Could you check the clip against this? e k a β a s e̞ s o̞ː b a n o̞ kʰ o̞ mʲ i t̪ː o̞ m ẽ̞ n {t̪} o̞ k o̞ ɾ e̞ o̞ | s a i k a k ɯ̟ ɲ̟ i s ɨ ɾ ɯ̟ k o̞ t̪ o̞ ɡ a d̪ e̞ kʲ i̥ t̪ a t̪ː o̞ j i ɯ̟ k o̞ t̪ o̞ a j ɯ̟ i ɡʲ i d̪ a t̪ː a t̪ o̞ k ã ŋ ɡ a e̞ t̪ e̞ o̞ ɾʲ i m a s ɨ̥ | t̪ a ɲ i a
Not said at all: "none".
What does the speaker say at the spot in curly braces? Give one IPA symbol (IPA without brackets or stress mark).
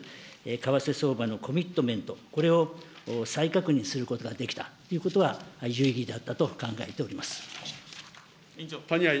t̪